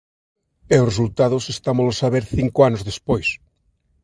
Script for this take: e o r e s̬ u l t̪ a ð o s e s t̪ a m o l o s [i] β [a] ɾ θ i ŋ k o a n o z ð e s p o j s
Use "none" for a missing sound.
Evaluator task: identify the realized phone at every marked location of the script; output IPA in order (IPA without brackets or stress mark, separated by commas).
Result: a, e